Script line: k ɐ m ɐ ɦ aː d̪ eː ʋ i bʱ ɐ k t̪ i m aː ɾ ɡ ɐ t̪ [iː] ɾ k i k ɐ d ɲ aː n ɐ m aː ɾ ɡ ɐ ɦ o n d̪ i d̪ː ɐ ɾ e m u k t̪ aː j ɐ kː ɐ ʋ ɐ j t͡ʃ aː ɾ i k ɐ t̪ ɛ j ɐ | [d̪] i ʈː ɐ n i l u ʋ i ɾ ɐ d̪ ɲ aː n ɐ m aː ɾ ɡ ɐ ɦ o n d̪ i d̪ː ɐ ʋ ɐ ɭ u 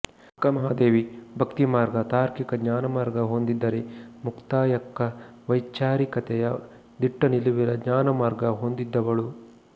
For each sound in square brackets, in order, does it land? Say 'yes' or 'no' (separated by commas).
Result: no, yes